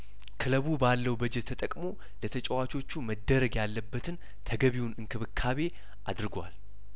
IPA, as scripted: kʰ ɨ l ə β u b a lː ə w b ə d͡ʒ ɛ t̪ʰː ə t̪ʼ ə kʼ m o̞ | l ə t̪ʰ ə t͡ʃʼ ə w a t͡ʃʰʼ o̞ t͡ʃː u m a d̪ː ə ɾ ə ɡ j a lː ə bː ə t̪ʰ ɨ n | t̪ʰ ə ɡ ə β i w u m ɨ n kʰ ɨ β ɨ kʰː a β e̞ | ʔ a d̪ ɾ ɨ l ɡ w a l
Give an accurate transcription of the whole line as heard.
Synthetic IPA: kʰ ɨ l ə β u b a lː ə w b ə d͡ʒ ɛ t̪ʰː ə t̪ʼ ə kʼ m o̞ | l ə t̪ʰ ə t͡ʃʼ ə w a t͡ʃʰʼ o̞ t͡ʃː u m ə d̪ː ə ɾ ə ɡ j a lː ə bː ə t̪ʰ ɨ n | t̪ʰ ə ɡ ə β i w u n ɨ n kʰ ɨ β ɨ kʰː a β e̞ | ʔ a d̪ ɾ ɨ ɡ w a l